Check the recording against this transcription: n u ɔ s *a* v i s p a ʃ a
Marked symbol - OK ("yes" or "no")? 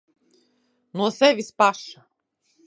no